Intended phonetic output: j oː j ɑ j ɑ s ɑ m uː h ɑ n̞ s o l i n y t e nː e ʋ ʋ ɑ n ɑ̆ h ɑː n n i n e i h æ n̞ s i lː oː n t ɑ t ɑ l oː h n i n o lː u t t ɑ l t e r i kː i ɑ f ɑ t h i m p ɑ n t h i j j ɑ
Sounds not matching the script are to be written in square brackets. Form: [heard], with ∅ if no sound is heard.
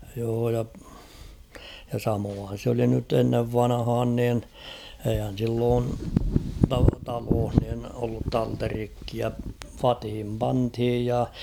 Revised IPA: j oː j ɑ j ɑ s ɑ m [oː] h ɑ n̞ s o l i n y t e nː e ʋ ʋ ɑ n ɑ̆ h ɑː n n i n e i h æ n̞ s i lː oː n t ɑ t ɑ l oː h n i n o lː u t t ɑ l t e r i kː i ɑ f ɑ t h i m p ɑ n t h i j j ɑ